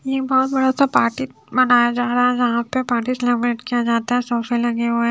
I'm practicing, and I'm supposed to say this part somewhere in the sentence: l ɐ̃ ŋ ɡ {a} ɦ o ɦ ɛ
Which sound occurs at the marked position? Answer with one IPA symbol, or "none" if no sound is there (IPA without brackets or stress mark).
e